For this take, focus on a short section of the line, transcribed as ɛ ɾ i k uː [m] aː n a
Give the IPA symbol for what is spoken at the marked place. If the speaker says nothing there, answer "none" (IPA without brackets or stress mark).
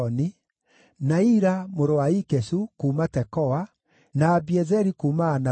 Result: m